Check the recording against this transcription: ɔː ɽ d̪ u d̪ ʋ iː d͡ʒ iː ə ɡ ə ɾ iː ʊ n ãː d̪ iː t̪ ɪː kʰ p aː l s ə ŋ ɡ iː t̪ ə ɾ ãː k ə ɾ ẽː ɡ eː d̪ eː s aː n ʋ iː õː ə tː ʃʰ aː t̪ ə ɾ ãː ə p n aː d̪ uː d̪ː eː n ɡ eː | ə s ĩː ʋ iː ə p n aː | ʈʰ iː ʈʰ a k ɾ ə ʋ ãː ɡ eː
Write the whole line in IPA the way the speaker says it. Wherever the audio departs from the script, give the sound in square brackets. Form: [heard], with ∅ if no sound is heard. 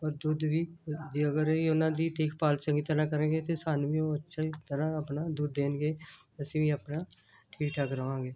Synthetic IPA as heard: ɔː [ɾ] d̪ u d̪ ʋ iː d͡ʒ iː ə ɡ ə ɾ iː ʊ n ãː d̪ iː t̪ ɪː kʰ p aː l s ə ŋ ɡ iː t̪ ə ɾ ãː k ə ɾ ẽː ɡ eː [t̪] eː s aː n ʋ iː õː ə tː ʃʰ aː t̪ ə ɾ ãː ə p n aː d̪ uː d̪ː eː n ɡ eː | ə s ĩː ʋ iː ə p n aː | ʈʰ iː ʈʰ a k ɾ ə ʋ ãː ɡ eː

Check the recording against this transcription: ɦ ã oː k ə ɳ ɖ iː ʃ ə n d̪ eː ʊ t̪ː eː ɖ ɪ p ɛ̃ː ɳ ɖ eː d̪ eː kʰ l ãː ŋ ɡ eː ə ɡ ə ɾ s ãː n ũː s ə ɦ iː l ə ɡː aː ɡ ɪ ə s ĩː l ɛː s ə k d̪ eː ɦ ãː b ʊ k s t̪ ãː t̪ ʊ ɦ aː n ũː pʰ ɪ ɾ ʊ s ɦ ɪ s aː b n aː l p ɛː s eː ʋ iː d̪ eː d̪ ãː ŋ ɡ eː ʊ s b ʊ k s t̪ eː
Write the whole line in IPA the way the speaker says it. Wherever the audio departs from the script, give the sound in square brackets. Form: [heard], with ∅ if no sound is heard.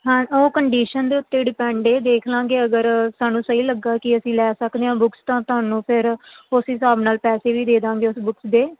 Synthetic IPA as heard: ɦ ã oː k ə ɳ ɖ iː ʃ ə n d̪ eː ʊ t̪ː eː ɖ ɪ p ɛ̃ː ɳ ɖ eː d̪ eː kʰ l ãː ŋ ɡ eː ə ɡ ə ɾ s [aː] n ũː s ə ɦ iː l ə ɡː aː [k] ɪ ə s ĩː l ɛː s ə k d̪ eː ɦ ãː b ʊ k s t̪ ãː t̪ ʊ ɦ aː n ũː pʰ ɪ ɾ ʊ s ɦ ɪ s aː b n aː l p ɛː s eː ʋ iː d̪ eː d̪ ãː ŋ ɡ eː ʊ s b ʊ k s [d̪] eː

